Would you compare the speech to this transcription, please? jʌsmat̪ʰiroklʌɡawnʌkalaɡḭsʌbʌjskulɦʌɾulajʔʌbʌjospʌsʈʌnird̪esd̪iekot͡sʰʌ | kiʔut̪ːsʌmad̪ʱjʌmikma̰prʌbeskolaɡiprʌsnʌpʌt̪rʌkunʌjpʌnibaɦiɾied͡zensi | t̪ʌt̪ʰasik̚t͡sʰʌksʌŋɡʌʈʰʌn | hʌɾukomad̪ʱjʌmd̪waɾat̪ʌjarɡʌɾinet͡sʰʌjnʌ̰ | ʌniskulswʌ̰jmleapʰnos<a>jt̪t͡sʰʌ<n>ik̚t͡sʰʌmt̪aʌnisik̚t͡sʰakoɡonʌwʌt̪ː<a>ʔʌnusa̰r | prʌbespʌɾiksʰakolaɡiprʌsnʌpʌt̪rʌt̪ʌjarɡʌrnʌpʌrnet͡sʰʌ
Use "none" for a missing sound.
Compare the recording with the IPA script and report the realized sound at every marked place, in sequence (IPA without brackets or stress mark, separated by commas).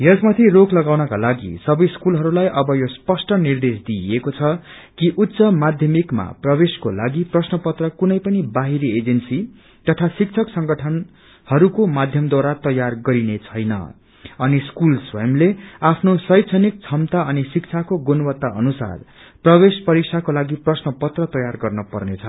ʌ, n, a